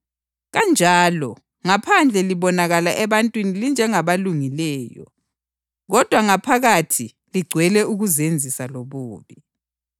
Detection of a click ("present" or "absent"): present